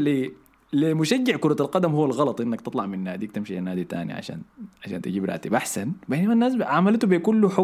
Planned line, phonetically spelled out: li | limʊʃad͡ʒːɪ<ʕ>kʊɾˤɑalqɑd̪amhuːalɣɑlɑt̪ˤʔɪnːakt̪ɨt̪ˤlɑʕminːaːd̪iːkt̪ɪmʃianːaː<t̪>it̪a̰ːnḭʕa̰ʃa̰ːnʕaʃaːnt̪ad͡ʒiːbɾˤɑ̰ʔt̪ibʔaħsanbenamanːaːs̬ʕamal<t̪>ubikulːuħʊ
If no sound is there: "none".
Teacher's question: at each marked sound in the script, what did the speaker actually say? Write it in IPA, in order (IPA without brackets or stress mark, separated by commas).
ʕ, d̪, t̪